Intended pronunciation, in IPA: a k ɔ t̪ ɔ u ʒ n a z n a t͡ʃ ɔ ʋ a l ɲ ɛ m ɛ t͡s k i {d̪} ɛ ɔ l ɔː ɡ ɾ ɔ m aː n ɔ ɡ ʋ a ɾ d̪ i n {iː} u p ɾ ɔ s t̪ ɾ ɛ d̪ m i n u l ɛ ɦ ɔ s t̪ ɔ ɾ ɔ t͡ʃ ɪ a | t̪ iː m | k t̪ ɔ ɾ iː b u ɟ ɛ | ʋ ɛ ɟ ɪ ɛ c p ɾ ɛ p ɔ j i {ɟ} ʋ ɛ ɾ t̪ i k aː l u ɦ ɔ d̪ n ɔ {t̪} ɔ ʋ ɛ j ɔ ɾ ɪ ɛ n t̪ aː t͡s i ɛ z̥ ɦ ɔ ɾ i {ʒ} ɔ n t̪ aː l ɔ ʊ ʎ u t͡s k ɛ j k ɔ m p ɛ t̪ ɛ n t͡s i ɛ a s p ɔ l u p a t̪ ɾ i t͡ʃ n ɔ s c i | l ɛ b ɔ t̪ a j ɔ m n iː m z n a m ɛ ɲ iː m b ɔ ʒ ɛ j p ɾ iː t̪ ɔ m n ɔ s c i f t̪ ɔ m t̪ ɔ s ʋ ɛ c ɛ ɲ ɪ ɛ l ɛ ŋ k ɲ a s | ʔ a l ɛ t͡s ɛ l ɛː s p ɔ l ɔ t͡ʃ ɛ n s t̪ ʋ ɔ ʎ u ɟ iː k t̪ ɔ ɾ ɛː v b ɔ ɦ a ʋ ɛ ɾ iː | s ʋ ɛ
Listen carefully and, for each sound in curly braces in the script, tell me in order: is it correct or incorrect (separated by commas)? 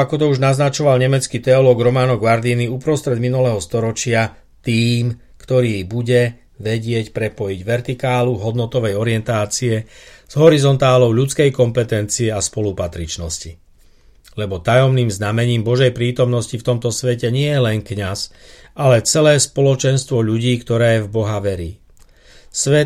incorrect, incorrect, correct, correct, incorrect